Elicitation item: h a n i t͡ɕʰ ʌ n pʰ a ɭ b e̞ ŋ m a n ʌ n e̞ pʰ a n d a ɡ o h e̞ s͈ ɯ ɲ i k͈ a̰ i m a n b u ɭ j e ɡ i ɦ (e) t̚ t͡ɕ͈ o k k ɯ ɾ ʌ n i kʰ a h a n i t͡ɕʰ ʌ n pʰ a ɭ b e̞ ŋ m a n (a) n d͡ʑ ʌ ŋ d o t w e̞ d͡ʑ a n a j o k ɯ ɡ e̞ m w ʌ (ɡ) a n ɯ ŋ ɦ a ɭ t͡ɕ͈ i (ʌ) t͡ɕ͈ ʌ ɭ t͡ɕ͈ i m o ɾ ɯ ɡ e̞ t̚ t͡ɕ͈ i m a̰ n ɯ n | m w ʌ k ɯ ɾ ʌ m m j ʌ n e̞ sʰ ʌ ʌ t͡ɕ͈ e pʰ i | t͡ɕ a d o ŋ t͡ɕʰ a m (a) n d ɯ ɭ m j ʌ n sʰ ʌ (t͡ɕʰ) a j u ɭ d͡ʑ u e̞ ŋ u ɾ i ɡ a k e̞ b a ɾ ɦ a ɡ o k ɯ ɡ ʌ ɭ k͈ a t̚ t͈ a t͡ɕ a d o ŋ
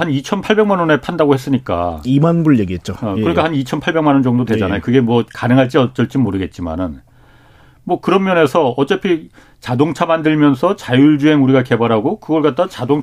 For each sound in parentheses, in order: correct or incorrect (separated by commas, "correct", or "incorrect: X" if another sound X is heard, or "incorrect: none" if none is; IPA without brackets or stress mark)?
correct, incorrect: ʌ, incorrect: k, correct, correct, incorrect: t͡ɕ